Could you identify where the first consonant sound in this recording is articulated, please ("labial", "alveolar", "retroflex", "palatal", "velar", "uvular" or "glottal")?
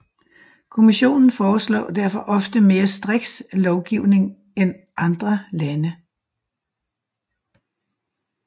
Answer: velar